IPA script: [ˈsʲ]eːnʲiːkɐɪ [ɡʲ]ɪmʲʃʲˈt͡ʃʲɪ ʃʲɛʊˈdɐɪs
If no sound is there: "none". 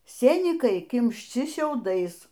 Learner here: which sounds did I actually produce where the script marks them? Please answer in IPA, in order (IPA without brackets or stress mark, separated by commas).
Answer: sʲ, kʲ